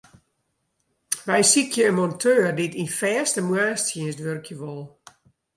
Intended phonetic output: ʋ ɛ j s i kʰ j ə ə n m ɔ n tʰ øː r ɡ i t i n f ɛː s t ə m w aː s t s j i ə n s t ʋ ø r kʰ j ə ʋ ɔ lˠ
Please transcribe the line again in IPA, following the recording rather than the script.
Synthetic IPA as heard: ʋ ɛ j s i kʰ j ə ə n m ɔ n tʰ øː r d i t i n f ɛː s t ə m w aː s t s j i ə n s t ʋ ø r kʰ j ə ʋ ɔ lˠ